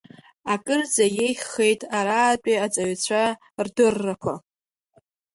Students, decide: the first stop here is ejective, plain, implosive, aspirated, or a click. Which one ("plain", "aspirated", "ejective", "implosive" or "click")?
ejective